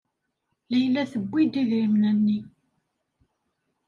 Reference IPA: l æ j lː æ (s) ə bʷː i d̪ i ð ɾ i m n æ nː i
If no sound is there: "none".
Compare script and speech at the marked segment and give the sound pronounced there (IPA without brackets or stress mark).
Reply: θ